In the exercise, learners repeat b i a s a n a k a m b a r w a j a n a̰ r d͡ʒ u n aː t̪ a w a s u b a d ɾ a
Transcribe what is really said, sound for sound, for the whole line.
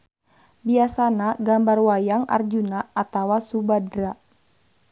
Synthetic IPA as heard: b i a s a n a ɡ a m b a r w a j a ŋ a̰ r d͡ʒ u n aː t̪ a w a s u b a d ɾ a